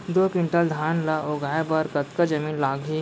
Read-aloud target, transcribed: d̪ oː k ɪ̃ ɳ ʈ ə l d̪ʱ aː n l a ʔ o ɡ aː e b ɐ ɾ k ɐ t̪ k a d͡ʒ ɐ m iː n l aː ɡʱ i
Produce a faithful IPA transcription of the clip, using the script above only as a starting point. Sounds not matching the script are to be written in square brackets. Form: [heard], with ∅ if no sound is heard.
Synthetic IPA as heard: d̪ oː k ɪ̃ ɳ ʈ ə l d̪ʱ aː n l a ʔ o ɡ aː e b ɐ ɾ k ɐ t̪ k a d͡ʒ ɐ m iː n l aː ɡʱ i